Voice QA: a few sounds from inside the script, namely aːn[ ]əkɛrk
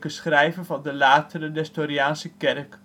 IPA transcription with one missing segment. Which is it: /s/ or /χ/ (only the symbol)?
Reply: s